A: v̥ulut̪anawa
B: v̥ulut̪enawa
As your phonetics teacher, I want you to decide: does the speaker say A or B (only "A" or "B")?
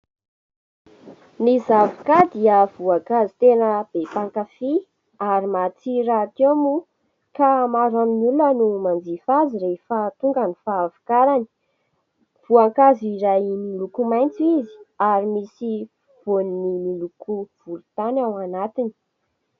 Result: A